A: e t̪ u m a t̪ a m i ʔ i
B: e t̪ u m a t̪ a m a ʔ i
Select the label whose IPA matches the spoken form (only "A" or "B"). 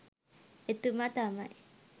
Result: B